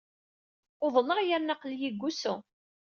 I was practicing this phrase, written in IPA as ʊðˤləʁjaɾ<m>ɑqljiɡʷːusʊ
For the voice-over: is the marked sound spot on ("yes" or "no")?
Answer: no